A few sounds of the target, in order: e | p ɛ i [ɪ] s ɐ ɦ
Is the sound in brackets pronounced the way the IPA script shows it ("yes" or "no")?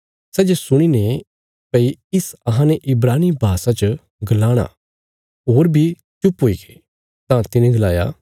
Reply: yes